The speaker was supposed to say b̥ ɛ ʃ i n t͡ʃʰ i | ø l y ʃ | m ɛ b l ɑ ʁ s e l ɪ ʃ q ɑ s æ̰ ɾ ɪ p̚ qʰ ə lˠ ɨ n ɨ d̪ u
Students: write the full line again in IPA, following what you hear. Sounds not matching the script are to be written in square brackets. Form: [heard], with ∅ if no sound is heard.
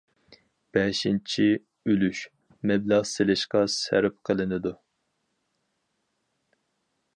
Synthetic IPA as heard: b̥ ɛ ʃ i n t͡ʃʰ i | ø l y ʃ | m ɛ b l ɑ ʁ s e l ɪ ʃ q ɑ s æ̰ ɾ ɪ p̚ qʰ ə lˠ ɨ n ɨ d̪ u